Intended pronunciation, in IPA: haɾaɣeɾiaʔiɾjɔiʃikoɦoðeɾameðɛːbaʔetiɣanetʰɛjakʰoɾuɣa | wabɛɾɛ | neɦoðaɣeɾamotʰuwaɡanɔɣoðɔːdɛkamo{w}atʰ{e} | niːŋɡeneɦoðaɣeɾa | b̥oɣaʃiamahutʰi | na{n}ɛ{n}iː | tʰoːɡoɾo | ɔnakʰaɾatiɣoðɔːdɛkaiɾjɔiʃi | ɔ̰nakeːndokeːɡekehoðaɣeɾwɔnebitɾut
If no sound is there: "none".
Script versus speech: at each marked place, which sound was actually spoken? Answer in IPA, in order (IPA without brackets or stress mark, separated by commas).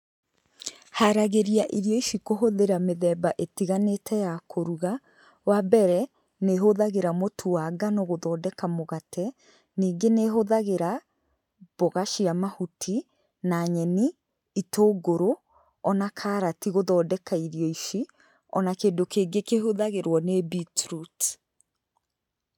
ɣ, ɛ, ɲ, n